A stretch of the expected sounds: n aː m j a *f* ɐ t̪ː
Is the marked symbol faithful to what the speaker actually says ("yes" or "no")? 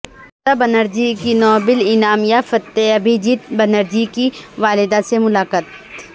yes